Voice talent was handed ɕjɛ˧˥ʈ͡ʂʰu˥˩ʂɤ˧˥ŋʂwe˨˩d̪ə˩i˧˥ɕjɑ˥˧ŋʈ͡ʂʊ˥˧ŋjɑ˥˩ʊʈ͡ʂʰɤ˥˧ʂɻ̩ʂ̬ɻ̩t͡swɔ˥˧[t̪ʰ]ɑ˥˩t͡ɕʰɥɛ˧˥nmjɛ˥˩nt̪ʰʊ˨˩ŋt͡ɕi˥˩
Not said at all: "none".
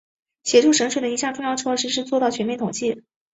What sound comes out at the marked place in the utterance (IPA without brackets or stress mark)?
t̪